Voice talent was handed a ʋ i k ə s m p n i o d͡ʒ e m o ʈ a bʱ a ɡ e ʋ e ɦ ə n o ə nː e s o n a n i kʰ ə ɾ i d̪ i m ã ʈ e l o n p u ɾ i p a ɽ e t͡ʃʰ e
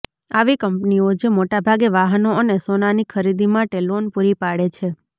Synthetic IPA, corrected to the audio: a ʋ i k ə m p n i o d͡ʒ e m o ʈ a bʱ a ɡ e ʋ a ɦ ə n o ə n e s o n a n i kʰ ə ɾ i d̪ i m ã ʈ e l o n p u ɾ i p a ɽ e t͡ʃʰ e

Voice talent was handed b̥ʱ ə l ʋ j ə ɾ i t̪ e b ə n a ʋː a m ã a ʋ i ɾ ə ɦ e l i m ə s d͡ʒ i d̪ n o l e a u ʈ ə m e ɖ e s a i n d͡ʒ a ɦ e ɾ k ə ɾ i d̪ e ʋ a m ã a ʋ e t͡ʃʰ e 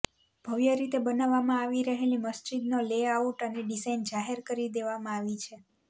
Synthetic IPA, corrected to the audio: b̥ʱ ə ʋ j ə ɾ i t̪ e b ə n a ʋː a m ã a ʋ i ɾ ə ɦ e l i m ə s d͡ʒ i d̪ n o l e a u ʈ ə n e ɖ i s a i n d͡ʒ a ɦ e ɾ k ə ɾ i d̪ e ʋ a m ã a ʋ i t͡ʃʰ e

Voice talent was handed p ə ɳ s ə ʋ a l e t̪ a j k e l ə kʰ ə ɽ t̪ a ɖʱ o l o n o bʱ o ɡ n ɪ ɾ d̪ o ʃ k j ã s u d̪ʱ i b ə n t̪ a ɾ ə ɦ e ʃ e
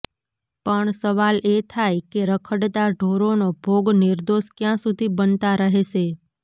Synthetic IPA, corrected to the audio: p ə ɳ s ə ʋ a l e t̪ʰ a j k e ɾ ə kʰ ə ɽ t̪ a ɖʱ o ɾ o n o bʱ o ɡ n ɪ ɾ d̪ o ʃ k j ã s u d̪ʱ i b ə n t̪ a ɾ ə ɦ e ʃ e

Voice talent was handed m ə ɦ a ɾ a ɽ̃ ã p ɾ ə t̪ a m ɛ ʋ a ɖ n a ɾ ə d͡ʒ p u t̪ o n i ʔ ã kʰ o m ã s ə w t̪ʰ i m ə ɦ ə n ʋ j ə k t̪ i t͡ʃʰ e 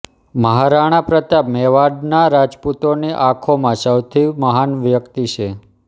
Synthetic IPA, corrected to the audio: m ə ɦ a ɾ a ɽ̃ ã p ɾ ə t̪ a m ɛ ʋ a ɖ n a ɾ a d͡ʒ p u t̪ o n i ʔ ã kʰ o m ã s ə w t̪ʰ i m ə ɦ a n ʋ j ə k t̪ i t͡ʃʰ e

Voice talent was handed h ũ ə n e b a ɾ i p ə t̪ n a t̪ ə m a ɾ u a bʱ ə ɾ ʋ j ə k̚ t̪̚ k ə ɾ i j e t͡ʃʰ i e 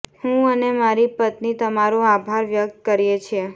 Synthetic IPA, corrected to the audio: h ũ ə n e m a ɾ i p ə t̪ n i t̪ ə m a ɾ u a bʱ a ɾ ʋ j ə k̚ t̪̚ k ə ɾ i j e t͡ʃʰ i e

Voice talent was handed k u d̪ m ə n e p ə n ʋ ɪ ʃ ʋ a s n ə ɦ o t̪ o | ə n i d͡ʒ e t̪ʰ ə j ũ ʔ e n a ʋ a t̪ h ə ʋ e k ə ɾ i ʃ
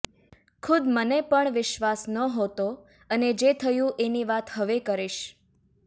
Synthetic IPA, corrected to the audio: kʰ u d̪ m ə n e p ə ɳ ʋ ɪ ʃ ʋ a s n ə ɦ o t̪ o | ə n e d͡ʒ e t̪ʰ ə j ũ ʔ e n i ʋ a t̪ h ə ʋ e k ə ɾ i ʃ

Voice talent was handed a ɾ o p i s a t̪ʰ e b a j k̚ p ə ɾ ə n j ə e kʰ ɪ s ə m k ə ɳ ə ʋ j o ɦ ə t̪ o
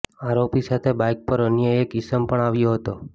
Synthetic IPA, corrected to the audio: a ɾ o p i s a t̪ʰ e b a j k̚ p ə ɾ ə n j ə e k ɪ s ə m p ə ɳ a ʋ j o ɦ ə t̪ o

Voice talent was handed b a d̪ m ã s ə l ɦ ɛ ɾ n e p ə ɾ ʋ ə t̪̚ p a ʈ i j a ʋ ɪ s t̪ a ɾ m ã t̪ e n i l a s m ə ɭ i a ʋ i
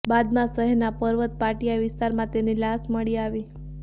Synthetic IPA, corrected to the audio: b a d̪ m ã s ə ɦ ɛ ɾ n a p ə ɾ ʋ ə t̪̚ p a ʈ i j a ʋ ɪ s t̪ a ɾ m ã t̪ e n i l a s m ə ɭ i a ʋ i

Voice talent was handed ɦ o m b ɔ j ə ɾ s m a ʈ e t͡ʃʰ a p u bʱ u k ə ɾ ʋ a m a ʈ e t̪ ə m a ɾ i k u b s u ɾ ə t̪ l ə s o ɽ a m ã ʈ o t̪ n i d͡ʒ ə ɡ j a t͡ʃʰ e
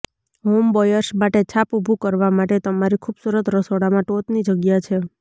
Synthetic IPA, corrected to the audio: ɦ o m b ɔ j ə ɾ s m a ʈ e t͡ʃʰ a p u bʱ u k ə ɾ ʋ a m a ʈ e t̪ ə m a ɾ i kʰ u b s u ɾ ə t̪ ɾ ə s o ɽ a m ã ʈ o t̪ n i d͡ʒ ə ɡ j a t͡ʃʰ e

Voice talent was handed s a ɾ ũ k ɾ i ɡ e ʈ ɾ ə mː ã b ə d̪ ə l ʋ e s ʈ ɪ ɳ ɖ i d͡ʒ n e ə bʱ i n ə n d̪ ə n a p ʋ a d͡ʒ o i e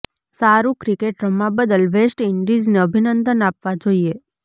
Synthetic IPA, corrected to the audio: s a ɾ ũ k ɾ i k e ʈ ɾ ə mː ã b ə d̪ ə l ʋ e s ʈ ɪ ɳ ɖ i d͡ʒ n e ə bʱ i n ə n d̪ ə n a p ʋ a d͡ʒ o i e

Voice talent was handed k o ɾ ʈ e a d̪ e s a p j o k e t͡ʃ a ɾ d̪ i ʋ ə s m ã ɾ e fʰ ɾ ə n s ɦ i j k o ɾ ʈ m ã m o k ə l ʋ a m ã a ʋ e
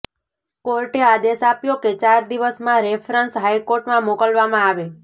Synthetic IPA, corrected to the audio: k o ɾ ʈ e a d̪ e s a p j o k e t͡ʃ a ɾ d̪ i ʋ ə s m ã ɾ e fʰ ɾ ə n s ɦ a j k o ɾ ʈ m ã m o k ə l ʋ a m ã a ʋ e

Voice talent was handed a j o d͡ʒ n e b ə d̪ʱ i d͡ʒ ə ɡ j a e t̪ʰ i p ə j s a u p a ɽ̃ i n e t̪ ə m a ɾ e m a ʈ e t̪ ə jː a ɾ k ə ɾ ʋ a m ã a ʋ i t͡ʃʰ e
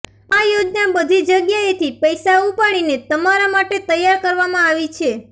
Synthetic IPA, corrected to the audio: a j o d͡ʒ n a b ə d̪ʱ i d͡ʒ ə ɡ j a e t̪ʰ i p ə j s a u p a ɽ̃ i n e t̪ ə m a ɾ a m a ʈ e t̪ ə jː a ɾ k ə ɾ ʋ a m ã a ʋ i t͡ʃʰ e

